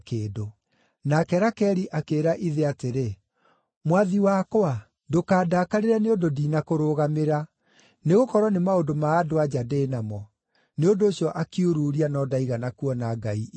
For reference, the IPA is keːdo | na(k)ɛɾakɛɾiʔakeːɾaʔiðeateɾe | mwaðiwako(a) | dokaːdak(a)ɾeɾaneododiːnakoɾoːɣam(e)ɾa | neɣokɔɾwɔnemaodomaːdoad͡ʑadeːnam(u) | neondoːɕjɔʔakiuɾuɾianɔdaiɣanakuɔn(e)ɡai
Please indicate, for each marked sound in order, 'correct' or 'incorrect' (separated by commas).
correct, correct, correct, correct, incorrect, incorrect